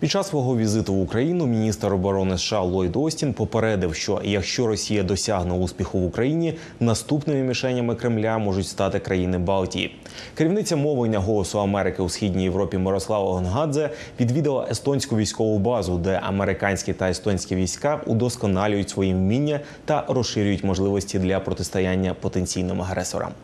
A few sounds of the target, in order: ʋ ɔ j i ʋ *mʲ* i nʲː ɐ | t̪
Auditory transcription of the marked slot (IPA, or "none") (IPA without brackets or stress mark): mʲ